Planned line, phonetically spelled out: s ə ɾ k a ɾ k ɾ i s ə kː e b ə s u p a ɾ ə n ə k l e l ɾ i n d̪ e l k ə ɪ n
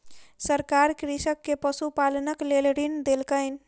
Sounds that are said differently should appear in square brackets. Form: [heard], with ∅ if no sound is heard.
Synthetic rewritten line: s ə ɾ k a ɾ k ɾ i s ə kː e [p] ə s u p a [l] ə n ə k l e l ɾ i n d̪ e l k ə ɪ n

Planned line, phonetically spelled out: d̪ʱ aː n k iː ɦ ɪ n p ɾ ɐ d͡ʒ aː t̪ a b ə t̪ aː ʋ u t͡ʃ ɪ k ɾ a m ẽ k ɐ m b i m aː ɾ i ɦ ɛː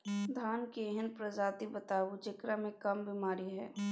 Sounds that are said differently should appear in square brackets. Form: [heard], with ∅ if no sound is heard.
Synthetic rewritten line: d̪ʱ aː n k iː ɦ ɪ n p ɾ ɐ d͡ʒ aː t̪ [i] b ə t̪ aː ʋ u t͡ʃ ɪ k ɾ a m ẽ k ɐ m b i m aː ɾ i ɦ ɛː

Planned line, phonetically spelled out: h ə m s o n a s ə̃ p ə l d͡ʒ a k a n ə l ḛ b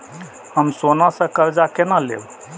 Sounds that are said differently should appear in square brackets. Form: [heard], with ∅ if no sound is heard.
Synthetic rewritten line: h ə m s o n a s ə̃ [k] ə [ɾ] d͡ʒ a k [e] n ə l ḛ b

